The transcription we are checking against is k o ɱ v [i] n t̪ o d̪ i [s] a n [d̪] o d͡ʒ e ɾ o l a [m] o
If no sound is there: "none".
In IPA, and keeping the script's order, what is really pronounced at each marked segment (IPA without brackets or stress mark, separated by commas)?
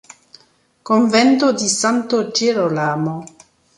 ɛ, s, t̪, m